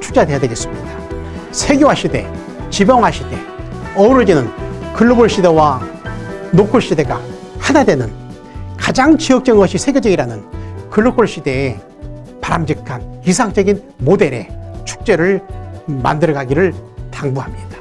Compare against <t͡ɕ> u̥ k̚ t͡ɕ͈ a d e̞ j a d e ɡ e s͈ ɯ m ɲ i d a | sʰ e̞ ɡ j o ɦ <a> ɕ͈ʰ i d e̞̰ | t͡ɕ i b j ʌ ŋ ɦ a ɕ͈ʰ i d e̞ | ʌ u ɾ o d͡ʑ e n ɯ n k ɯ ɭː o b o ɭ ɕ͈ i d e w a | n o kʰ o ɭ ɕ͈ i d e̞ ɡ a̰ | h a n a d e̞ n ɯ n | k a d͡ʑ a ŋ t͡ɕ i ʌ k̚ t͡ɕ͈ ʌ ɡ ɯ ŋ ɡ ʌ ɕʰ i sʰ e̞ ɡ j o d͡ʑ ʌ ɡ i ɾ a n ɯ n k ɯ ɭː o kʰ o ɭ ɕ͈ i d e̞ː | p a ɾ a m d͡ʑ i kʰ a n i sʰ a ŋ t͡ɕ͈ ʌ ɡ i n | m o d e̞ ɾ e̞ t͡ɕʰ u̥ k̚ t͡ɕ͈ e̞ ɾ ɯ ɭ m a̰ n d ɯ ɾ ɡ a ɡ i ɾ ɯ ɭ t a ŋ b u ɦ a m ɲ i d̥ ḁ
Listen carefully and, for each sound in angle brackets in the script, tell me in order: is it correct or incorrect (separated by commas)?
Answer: incorrect, correct